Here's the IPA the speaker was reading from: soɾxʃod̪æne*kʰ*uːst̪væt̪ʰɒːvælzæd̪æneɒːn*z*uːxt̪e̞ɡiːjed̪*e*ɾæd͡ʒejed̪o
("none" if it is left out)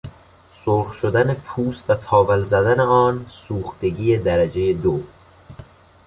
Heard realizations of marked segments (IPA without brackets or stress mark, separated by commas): pʰ, s, æ